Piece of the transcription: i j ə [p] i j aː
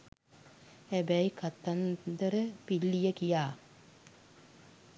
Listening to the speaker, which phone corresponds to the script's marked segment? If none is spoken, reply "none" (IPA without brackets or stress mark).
k